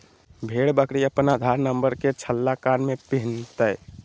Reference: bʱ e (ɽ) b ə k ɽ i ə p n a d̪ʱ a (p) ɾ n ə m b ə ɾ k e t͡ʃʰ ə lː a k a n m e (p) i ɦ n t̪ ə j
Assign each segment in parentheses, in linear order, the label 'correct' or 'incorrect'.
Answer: correct, incorrect, correct

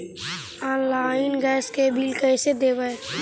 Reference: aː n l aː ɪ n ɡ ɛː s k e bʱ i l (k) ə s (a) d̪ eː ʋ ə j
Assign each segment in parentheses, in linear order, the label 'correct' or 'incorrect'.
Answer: correct, incorrect

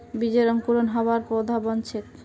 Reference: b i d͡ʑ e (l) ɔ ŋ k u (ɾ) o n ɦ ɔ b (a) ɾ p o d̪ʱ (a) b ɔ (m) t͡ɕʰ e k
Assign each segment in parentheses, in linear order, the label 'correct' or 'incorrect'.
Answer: incorrect, correct, correct, correct, incorrect

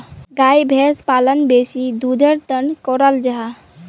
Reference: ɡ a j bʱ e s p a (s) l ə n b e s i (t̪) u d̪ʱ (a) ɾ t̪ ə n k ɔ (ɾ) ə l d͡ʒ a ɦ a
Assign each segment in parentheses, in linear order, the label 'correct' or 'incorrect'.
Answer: incorrect, incorrect, incorrect, correct

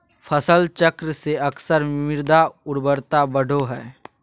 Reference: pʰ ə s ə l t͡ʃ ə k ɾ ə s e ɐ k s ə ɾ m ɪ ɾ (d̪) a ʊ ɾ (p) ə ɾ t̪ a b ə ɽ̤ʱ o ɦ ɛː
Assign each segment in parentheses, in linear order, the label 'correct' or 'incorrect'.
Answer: correct, incorrect

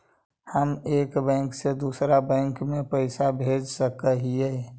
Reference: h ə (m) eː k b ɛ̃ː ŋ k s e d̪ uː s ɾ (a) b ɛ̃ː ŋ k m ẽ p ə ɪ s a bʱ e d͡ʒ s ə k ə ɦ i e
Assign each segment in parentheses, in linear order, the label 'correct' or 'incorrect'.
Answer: correct, correct

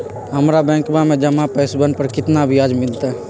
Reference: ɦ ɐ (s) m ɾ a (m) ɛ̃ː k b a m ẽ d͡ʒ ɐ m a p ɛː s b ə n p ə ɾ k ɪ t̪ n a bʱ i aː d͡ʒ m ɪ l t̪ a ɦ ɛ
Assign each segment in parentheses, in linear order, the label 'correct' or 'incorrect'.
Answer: incorrect, incorrect

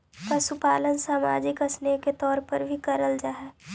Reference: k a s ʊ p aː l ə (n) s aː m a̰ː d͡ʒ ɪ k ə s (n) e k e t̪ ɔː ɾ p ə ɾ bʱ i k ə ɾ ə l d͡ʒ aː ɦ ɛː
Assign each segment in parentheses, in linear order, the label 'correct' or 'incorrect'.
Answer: correct, correct

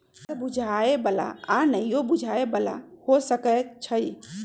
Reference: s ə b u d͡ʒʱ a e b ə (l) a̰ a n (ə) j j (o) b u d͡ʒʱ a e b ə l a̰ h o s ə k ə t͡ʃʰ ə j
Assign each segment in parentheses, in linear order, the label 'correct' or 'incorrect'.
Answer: correct, correct, correct

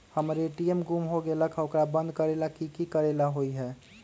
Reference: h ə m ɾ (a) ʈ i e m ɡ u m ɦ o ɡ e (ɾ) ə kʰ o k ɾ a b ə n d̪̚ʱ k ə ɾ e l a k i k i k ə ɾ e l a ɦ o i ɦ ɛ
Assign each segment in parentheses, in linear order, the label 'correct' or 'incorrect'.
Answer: incorrect, incorrect

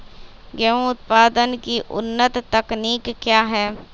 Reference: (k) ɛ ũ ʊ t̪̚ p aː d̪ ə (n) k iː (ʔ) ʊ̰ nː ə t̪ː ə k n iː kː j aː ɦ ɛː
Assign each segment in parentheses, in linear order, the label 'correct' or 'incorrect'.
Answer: incorrect, correct, correct

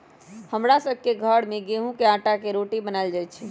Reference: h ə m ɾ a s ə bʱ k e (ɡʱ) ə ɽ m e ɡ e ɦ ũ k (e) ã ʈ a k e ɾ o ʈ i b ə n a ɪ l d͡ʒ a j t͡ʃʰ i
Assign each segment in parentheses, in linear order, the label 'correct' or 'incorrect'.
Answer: correct, correct

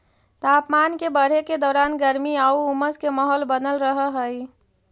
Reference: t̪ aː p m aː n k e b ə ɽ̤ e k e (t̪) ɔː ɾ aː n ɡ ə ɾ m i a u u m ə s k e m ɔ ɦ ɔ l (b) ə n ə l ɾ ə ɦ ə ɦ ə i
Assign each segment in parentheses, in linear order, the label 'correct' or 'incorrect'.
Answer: incorrect, correct

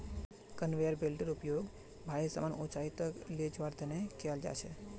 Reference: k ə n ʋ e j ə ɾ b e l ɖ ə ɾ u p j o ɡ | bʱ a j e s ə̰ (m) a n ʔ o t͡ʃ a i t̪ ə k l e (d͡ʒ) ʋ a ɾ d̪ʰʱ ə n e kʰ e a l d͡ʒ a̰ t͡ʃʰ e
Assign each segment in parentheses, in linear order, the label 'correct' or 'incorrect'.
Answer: correct, correct

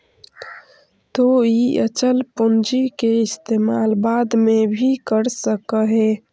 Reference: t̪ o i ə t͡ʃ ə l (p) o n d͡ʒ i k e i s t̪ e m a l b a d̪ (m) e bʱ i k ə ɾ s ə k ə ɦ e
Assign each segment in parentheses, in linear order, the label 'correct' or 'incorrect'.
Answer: correct, correct

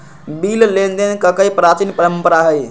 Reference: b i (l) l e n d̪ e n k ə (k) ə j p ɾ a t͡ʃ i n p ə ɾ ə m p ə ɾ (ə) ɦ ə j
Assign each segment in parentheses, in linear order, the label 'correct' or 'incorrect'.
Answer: correct, correct, incorrect

